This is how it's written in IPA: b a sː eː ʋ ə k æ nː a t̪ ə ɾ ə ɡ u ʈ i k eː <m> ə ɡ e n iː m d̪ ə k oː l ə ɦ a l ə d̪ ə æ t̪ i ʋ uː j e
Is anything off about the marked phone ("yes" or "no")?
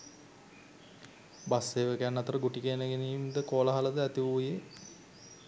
yes